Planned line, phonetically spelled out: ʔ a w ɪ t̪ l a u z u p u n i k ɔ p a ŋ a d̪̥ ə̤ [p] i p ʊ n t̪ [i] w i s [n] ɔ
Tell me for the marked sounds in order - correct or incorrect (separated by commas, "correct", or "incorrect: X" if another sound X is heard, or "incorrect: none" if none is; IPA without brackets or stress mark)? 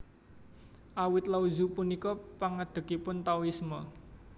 incorrect: k, incorrect: a, incorrect: m